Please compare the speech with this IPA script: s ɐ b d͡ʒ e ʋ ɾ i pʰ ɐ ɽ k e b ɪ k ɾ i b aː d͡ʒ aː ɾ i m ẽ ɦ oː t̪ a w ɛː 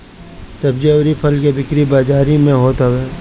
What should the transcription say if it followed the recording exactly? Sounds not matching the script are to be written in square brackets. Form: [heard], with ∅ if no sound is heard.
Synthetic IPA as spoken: s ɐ b d͡ʒ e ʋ ɾ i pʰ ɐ [l] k e b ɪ k ɾ i b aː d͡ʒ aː ɾ i m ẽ ɦ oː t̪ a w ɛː

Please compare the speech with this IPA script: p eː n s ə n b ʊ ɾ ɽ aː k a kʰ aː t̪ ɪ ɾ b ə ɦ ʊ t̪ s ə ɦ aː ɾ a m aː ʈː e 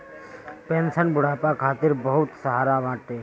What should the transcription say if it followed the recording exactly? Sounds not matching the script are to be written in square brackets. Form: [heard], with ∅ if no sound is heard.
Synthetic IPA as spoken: p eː n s ə n b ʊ [∅] ɽ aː [p] a kʰ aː t̪ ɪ ɾ b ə ɦ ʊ t̪ s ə ɦ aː ɾ a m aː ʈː e

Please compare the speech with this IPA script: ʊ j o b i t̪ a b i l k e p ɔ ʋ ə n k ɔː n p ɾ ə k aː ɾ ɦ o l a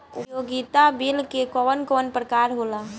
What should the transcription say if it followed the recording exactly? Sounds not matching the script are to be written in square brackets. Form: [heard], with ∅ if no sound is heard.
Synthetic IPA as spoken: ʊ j o [ɡ] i t̪ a b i l k e [k] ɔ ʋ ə n k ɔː n p ɾ ə k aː ɾ ɦ o l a

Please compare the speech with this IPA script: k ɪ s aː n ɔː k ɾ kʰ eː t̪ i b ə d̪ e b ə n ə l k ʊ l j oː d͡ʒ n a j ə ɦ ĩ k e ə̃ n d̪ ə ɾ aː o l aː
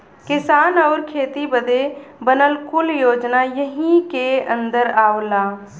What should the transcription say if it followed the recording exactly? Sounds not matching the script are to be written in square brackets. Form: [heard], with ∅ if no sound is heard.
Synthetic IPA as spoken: k ɪ s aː n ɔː [∅] ɾ kʰ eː t̪ i b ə d̪ e b ə n ə l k ʊ l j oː d͡ʒ n a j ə ɦ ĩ k e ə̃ n d̪ ə ɾ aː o l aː

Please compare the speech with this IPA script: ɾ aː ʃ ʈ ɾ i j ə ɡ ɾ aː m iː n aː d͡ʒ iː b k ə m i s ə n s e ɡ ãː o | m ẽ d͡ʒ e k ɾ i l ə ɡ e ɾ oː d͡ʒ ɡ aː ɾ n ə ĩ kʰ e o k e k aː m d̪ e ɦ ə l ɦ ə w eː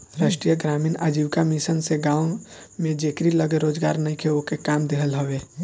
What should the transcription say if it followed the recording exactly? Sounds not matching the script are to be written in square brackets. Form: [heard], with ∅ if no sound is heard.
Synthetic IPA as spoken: ɾ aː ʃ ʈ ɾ i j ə ɡ ɾ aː m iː n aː d͡ʒ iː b k [a] m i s ə n s e ɡ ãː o | m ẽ d͡ʒ e k ɾ i l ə ɡ e ɾ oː d͡ʒ ɡ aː ɾ n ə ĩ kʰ e o k e k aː m d̪ e ɦ ə l ɦ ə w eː

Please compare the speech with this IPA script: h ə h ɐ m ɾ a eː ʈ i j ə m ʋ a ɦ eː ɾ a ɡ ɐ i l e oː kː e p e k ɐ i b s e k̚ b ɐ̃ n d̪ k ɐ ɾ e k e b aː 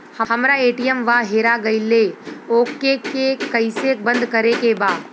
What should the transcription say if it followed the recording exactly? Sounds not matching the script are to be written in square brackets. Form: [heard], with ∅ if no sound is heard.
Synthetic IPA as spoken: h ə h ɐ m ɾ a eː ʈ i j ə m ʋ a ɦ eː ɾ a ɡ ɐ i l e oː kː e [k] e k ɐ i [∅] s e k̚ b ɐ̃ n d̪ k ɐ ɾ e k e b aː

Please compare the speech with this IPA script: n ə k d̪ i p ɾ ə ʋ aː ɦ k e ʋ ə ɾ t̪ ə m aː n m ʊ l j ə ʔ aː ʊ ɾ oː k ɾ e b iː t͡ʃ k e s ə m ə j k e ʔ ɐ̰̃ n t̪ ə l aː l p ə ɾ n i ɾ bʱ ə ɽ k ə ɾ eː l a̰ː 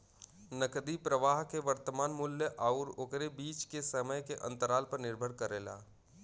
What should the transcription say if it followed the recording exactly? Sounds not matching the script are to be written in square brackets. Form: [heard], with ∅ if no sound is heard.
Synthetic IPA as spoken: n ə k d̪ i p ɾ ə ʋ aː ɦ k e ʋ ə ɾ t̪ ə m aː n m ʊ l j ə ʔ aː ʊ ɾ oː k ɾ e b iː t͡ʃ k e s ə m ə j k e ʔ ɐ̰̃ n t̪ ə [ɾ] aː l p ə ɾ n [ɪ] ɾ bʱ ə ɽ k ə ɾ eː l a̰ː

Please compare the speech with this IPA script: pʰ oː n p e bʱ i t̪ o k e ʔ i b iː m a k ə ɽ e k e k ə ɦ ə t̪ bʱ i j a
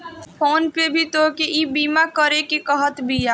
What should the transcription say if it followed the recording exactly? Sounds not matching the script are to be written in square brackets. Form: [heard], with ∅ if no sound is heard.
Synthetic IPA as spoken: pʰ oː n p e bʱ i t̪ o k e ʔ i b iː m a k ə [ɾ] e k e k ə ɦ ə t̪ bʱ i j a

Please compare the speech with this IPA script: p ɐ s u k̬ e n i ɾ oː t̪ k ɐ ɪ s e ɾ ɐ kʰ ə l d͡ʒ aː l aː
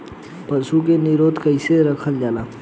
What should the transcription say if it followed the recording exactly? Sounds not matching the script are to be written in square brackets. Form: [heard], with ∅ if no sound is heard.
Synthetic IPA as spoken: p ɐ s u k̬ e n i ɾ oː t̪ k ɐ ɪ s e ɾ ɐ kʰ ə l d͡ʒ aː l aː

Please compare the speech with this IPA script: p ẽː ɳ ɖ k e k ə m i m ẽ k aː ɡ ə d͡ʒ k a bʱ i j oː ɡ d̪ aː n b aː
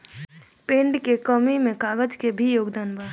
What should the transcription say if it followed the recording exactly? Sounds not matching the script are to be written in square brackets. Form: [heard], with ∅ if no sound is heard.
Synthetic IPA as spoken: p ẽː ɳ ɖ k e k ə m i m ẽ k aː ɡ ə d͡ʒ k [e] bʱ i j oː ɡ d̪ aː n b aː

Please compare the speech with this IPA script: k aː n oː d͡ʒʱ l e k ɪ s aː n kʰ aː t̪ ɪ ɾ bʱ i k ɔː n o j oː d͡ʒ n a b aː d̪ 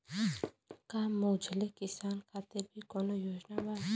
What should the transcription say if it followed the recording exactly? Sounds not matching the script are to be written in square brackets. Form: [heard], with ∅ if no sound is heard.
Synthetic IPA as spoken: k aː [m] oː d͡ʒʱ l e k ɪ s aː n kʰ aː t̪ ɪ ɾ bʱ i k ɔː n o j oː d͡ʒ n a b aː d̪

